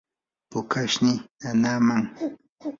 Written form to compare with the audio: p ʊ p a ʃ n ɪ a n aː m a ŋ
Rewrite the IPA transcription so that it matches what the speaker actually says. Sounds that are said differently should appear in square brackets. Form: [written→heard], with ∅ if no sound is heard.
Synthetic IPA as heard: p ʊ [p→k] a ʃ n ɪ a n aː m a ŋ